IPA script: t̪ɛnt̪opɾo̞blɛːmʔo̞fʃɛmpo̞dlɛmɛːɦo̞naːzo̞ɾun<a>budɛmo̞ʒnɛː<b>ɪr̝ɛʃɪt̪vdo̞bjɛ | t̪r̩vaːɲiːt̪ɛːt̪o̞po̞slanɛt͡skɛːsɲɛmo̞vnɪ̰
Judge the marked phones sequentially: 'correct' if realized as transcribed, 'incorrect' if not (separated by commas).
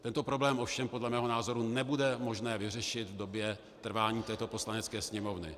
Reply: incorrect, incorrect